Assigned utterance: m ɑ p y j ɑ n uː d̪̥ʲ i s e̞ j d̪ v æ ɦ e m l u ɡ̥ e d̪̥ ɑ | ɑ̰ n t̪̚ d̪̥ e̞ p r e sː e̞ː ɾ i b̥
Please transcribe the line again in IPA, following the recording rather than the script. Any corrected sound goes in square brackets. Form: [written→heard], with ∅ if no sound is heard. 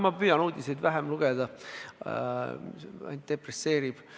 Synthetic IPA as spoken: m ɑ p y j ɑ n uː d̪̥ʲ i s e̞ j d̪ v æ ɦ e m l u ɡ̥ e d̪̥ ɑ | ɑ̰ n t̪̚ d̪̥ e̞ p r e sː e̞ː ɾ i b̥